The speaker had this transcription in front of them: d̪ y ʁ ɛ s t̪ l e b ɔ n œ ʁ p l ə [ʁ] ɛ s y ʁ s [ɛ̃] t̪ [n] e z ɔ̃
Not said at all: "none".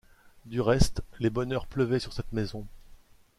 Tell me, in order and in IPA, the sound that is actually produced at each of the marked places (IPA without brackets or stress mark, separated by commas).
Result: v, ɛ, m